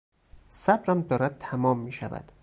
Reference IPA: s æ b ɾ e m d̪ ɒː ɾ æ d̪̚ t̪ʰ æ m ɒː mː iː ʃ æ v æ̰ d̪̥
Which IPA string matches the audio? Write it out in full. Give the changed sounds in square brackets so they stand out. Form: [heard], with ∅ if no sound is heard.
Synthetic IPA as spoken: s æ b ɾ [æ] m d̪ ɒː ɾ æ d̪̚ t̪ʰ æ m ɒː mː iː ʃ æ v æ̰ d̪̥